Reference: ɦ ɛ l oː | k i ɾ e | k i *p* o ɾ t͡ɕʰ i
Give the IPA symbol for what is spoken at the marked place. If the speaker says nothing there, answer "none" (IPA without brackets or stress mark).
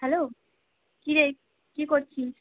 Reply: k